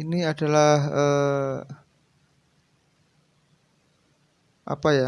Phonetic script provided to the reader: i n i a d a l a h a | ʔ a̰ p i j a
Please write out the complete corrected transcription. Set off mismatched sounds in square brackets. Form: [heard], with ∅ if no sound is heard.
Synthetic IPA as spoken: i n i a d a l a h [ə] | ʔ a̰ p [a] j a

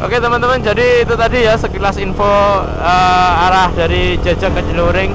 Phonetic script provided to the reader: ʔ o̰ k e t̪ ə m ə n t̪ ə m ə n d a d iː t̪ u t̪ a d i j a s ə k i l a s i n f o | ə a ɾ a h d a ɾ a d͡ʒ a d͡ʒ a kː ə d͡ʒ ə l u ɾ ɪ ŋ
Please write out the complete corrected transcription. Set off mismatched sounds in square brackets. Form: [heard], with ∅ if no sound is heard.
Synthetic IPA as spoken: ʔ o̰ k e t̪ ə m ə n t̪ ə m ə n [d͡ʒ] a d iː t̪ u t̪ a d i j a s ə k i l a s i n f o | ə a ɾ a h d a ɾ [i] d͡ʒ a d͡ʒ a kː ə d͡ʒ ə l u ɾ ɪ ŋ

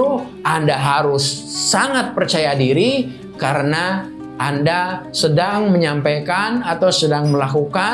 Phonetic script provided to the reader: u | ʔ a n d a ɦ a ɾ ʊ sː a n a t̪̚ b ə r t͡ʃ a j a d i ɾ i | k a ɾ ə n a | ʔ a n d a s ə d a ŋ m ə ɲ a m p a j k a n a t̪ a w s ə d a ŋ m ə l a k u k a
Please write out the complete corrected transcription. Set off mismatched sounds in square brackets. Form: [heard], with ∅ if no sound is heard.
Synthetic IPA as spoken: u | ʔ a n d a ɦ a ɾ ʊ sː a [ŋ] a t̪̚ [p] ə r t͡ʃ a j a d i ɾ i | k a ɾ ə n a | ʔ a n d a s ə d a ŋ m ə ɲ a m p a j k a n a t̪ a w s ə d a ŋ m ə l a k u k a

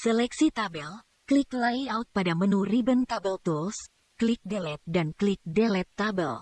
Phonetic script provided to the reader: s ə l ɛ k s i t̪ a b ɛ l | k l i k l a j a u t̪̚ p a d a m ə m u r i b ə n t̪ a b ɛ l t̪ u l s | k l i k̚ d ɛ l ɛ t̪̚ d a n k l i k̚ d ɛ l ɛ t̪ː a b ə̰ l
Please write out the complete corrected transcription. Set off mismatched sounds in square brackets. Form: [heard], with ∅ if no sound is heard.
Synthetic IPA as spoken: s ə l ɛ k s i t̪ a b ɛ l | k l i k l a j a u t̪̚ p a d a m ə [n] u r i b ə n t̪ a b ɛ l t̪ u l s | k l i k̚ d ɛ l ɛ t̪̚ d a n k l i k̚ d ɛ l ɛ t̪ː a b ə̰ l

